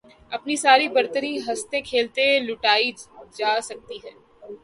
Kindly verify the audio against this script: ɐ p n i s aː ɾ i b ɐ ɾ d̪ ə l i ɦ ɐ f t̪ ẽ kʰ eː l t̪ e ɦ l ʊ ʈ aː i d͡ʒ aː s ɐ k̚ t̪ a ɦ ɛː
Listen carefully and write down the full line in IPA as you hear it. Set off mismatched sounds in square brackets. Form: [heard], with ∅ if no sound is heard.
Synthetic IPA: ɐ p n i s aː ɾ i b ɐ ɾ [t̪] ə [ɾ] i ɦ ɐ [s] t̪ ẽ kʰ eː l t̪ e [∅] l ʊ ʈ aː i d͡ʒ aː s ɐ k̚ t̪ [i] ɦ ɛː